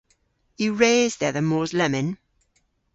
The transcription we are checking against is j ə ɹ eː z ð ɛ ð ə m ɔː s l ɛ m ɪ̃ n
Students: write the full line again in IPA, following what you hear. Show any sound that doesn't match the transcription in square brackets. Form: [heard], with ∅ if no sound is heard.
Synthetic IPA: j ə ɹ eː z ð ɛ ð ə m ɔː [z] l ɛ m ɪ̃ n